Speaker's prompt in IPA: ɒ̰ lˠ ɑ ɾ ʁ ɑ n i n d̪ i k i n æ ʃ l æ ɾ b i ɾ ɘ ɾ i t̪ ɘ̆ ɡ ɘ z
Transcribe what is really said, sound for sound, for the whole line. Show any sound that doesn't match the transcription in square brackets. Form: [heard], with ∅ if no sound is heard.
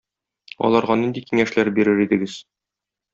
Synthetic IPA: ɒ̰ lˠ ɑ ɾ ʁ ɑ n i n d̪ i k i [ŋ] æ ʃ l æ ɾ b i ɾ ɘ ɾ i [d̪] ɘ̆ ɡ ɘ z